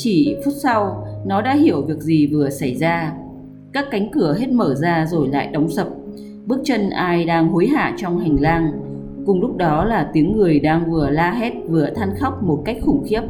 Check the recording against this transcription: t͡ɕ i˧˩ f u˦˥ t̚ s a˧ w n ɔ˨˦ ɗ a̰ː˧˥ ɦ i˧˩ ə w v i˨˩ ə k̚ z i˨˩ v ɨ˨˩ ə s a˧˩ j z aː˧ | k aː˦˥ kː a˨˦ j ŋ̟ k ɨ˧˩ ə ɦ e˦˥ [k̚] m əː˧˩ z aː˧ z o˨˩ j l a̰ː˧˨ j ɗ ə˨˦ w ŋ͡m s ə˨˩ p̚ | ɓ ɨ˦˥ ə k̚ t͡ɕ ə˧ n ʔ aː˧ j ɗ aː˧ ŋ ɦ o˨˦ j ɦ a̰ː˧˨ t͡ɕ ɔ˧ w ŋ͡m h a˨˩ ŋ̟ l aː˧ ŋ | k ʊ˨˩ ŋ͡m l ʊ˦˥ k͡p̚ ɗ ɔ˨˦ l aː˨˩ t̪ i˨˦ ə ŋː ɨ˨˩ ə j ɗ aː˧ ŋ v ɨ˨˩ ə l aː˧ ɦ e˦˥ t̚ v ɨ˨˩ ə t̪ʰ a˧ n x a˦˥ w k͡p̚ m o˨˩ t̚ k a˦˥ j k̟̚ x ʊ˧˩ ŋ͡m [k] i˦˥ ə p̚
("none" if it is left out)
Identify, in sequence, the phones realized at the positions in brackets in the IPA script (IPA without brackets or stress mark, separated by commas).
t̚, x